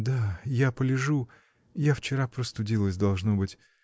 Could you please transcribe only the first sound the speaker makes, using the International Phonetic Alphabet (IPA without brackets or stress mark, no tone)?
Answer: d̪